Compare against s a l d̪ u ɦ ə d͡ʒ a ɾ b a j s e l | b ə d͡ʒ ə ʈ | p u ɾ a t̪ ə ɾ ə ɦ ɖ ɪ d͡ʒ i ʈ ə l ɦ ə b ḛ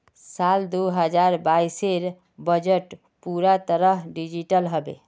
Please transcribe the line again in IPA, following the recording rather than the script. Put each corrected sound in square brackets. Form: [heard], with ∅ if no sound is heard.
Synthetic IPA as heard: s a l d̪ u ɦ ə d͡ʒ a ɾ b a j s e [ɾ] | b ə d͡ʒ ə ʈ | p u ɾ a t̪ ə ɾ ə ɦ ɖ [i] d͡ʒ i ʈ ə l ɦ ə b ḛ